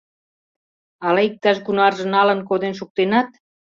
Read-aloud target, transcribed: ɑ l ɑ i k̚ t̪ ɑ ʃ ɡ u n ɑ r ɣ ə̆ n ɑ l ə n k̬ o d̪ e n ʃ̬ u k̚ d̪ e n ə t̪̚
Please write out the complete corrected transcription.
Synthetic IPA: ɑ l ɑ i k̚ t̪ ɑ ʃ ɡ u n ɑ r ʒ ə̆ n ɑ l ə n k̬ o d̪ e n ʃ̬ u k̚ t̪ e n ɑ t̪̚